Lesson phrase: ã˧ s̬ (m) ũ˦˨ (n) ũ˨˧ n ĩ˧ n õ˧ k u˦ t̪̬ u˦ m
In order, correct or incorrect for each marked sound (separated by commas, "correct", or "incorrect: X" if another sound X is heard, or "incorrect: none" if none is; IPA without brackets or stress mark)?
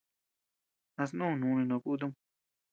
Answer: incorrect: n, correct